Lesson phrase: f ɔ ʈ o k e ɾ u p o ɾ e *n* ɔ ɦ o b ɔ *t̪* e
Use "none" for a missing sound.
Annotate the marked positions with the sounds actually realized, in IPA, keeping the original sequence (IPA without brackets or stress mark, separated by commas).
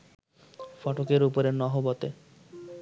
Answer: n, t̪